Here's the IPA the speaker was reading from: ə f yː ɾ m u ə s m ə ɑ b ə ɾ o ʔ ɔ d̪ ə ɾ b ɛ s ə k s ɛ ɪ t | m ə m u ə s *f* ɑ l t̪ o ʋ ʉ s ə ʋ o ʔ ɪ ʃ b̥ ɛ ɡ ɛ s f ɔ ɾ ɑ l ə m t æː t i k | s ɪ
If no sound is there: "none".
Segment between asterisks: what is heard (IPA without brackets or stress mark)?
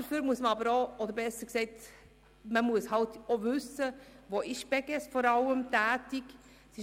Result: h